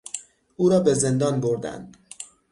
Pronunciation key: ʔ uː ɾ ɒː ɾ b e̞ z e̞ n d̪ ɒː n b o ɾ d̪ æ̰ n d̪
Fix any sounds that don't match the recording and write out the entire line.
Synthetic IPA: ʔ uː ɾ ɒː b e̞ z e̞ n d̪ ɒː n b o ɾ d̪ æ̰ n d̪